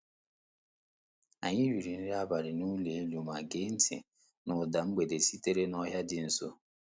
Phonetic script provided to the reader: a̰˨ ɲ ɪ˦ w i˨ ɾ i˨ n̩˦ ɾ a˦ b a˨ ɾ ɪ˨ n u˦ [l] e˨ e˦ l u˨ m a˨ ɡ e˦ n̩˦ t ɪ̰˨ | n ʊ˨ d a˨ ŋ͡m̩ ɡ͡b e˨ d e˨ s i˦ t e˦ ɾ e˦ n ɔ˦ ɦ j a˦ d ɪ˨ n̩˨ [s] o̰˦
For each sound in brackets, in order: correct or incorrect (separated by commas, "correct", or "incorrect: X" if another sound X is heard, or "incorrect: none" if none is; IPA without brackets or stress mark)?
correct, correct